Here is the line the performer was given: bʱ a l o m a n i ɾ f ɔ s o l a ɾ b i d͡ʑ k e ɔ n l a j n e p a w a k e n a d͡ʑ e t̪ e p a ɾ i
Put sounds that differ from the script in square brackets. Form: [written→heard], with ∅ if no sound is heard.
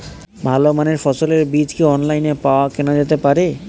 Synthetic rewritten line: bʱ a l o m a n [i→e] ɾ f ɔ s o l [a→e] ɾ b i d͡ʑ k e ɔ n l a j n e p a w a k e n a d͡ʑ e t̪ e p a ɾ [i→e]